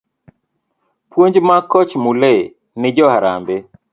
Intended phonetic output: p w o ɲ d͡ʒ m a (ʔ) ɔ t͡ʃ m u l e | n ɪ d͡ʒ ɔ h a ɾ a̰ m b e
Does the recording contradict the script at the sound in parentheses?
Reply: yes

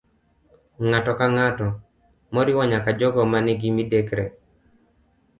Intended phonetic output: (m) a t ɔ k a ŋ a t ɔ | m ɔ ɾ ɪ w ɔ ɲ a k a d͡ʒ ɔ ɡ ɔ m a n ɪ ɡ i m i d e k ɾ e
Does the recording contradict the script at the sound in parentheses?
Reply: yes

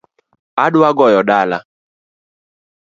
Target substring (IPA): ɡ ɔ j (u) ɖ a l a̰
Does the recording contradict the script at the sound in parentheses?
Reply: yes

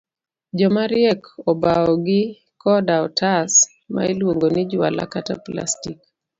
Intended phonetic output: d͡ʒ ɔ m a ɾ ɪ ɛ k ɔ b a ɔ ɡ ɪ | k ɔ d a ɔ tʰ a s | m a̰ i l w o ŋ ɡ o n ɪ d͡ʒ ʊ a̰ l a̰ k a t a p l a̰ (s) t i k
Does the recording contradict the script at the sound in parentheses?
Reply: no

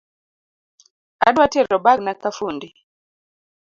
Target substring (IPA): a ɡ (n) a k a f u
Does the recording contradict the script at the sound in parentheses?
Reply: no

